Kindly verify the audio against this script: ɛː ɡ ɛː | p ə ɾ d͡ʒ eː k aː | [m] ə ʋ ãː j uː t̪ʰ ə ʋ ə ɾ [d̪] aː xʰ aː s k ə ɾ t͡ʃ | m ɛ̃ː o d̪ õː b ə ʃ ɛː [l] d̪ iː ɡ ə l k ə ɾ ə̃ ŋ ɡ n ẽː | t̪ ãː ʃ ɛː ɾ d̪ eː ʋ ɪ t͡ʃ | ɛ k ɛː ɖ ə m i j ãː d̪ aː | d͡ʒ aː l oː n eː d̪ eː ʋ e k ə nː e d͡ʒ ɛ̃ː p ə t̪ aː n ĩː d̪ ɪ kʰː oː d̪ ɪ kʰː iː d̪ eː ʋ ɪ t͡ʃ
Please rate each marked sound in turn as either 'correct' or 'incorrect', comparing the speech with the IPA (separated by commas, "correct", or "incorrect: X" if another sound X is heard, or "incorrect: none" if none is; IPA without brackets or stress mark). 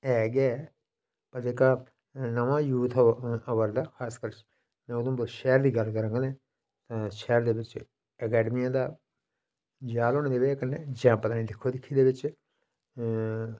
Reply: incorrect: n, correct, incorrect: ɾ